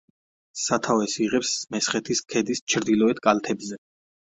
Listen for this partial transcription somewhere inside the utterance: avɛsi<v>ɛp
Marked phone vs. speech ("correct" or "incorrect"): incorrect